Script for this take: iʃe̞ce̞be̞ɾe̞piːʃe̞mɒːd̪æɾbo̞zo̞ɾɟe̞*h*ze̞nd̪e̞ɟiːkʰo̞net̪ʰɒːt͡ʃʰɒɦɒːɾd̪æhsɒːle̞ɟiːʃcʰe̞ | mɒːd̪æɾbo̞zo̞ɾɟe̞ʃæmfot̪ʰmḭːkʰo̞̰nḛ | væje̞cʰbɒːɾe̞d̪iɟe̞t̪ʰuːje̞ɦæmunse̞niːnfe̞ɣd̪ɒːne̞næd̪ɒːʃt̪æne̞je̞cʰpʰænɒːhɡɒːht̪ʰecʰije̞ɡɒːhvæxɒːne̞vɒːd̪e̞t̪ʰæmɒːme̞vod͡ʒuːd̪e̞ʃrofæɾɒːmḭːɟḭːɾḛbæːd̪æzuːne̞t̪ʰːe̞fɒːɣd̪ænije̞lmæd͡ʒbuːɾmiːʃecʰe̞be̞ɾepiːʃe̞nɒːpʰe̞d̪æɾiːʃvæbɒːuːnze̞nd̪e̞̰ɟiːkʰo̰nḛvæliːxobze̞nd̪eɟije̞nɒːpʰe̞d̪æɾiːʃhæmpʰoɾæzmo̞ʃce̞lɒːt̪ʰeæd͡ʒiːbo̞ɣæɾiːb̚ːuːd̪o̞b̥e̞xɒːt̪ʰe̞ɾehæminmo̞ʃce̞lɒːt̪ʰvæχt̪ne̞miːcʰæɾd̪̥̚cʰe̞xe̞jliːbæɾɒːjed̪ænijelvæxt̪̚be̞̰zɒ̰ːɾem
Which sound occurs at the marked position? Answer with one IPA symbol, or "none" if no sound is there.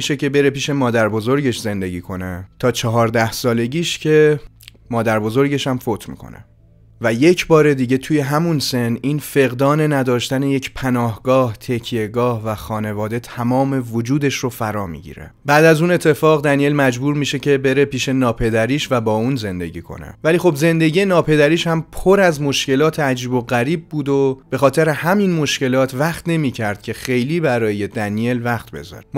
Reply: ʃ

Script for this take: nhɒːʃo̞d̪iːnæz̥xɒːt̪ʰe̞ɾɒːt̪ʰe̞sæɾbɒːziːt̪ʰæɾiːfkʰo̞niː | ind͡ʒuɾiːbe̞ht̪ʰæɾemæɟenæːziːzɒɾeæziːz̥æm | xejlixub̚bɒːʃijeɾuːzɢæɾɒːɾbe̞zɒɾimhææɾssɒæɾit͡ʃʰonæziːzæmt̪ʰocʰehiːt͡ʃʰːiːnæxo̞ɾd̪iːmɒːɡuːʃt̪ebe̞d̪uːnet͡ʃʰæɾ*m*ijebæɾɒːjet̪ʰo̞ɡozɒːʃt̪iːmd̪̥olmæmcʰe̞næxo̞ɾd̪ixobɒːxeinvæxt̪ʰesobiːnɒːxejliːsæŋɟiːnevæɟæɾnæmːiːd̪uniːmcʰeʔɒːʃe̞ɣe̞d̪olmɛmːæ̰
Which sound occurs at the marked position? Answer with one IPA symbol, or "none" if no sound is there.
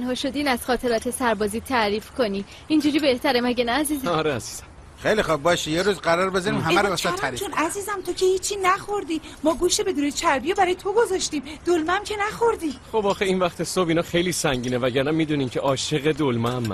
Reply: b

